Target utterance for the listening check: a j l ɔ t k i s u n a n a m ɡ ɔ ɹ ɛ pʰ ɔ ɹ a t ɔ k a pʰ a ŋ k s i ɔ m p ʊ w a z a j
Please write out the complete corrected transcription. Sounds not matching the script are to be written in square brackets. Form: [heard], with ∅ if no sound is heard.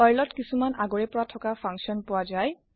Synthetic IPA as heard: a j l ɔ t k i s u [m] a n a [∅] ɡ ɔ ɹ ɛ [p] ɔ ɹ a [tʰ] ɔ k a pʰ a ŋ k s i ɔ [n] p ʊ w a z a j